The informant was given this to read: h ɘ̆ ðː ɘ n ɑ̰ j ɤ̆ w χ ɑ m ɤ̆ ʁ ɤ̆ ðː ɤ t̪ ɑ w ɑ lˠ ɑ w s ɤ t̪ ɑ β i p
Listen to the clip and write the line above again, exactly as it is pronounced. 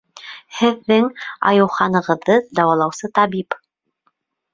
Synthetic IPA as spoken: h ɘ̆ ðː ɘ ŋ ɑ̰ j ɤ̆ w χ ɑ n ɤ̆ ʁ ɤ̆ ðː ɤ d̪ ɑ w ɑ lˠ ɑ w s ɤ t̪ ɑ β i p